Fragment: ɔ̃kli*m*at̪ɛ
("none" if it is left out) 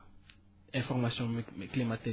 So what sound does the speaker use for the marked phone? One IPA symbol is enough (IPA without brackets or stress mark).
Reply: m